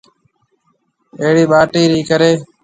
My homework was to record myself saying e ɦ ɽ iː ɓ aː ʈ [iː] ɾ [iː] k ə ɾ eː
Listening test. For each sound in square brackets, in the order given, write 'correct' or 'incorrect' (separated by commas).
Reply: correct, correct